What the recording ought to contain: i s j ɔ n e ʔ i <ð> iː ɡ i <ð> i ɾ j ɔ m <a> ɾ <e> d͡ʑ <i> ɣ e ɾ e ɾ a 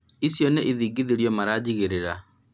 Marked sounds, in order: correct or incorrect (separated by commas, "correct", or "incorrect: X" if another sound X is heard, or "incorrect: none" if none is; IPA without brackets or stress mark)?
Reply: correct, correct, correct, incorrect: a, correct